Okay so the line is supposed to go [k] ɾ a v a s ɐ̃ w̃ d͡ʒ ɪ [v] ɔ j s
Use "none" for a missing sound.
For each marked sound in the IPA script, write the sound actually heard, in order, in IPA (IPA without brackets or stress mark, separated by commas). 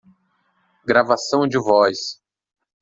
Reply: ɡ, v